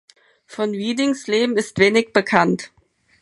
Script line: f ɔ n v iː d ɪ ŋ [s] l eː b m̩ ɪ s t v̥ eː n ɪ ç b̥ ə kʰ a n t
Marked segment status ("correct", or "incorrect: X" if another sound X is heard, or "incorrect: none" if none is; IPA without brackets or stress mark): correct